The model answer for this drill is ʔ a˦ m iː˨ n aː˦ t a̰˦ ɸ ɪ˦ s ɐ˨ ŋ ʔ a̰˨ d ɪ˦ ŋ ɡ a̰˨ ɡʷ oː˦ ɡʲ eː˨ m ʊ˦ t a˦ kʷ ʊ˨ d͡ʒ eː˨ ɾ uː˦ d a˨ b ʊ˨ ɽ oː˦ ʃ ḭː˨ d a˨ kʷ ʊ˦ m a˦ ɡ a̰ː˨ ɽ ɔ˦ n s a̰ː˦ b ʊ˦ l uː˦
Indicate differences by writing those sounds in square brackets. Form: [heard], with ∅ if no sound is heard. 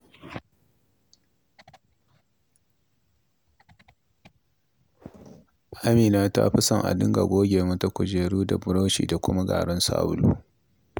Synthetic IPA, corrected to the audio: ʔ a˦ m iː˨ n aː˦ t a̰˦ ɸ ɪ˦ s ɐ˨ ŋ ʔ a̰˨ d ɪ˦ ŋ ɡ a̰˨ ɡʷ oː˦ ɡʲ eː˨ m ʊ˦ t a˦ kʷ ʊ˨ d͡ʒ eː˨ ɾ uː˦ d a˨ b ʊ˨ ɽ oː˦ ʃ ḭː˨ d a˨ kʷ ʊ˦ m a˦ ɡ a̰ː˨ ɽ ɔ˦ n s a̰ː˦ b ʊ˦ l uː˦